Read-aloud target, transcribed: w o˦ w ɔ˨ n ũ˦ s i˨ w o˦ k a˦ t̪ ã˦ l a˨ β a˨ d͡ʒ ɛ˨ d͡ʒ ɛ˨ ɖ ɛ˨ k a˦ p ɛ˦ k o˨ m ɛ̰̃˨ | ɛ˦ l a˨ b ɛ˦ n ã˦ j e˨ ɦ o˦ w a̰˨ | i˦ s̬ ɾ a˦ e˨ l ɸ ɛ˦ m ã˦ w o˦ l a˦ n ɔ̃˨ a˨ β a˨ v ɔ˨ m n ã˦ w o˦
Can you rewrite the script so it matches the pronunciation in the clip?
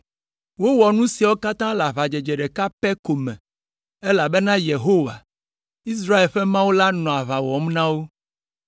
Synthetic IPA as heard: w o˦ w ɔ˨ n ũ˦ s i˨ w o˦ k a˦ t̪ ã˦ l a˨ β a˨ d͡ʒ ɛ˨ d͡ʒ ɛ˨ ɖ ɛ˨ k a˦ p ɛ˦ k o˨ m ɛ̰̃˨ | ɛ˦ l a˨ b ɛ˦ n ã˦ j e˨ ɦ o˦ w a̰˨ | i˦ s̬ ɾ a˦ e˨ l ɸ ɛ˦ m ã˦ w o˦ l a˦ n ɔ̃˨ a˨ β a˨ w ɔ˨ m n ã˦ w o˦